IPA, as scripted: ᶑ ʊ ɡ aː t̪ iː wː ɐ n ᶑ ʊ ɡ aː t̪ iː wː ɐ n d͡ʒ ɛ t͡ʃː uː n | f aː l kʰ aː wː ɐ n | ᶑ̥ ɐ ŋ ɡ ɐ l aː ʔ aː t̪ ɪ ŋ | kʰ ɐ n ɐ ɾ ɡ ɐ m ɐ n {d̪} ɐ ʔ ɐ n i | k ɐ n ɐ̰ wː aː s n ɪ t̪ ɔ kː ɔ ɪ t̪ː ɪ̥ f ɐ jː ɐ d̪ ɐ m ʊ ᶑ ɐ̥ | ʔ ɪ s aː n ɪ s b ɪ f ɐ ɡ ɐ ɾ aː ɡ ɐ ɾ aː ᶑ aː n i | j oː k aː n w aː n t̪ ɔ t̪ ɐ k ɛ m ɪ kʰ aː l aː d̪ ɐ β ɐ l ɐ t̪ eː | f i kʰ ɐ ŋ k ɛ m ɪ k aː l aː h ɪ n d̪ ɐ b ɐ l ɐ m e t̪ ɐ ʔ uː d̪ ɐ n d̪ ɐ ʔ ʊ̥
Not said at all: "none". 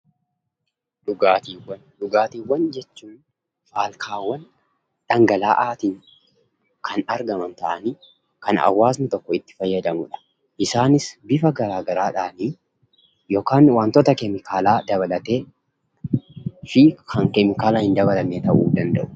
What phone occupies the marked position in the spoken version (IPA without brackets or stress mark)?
t̪